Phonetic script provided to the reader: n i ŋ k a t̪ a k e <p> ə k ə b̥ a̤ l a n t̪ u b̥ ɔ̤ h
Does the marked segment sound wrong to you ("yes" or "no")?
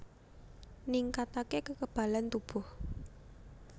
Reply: yes